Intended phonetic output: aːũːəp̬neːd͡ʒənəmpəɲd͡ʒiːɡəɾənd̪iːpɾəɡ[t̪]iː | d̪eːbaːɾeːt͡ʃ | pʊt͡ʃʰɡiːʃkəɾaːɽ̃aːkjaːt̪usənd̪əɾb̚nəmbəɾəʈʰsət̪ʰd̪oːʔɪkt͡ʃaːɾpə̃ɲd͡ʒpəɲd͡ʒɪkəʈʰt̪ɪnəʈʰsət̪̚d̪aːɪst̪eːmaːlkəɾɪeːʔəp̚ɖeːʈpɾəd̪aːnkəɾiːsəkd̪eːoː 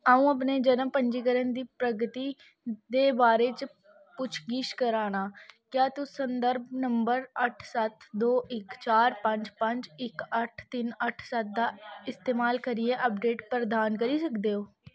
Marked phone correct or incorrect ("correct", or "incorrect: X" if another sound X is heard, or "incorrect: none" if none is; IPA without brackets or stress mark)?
correct